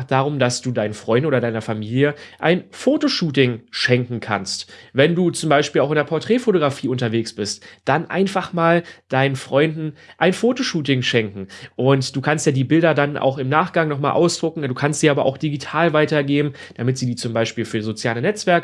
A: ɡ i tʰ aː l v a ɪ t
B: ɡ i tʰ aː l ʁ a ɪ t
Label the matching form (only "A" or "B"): A